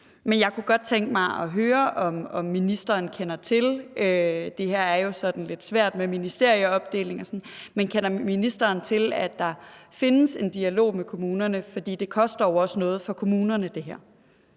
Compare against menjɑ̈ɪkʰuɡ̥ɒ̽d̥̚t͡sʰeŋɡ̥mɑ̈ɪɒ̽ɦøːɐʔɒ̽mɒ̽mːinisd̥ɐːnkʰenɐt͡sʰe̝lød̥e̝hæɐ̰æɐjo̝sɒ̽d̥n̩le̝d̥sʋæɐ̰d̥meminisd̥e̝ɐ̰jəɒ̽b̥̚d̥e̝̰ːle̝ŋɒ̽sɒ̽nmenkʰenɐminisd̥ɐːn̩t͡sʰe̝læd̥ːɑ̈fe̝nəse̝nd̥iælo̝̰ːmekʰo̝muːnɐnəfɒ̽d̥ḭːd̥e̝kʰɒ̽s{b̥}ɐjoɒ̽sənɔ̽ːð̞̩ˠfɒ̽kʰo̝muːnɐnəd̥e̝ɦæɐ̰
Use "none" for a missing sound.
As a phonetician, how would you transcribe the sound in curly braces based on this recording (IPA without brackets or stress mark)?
d̥